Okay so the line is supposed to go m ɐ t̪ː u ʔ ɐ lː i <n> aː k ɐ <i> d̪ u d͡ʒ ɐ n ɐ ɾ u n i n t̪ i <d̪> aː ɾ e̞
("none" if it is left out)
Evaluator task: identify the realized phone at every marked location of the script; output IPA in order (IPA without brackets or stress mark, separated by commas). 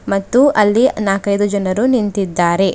n, j, d̪ː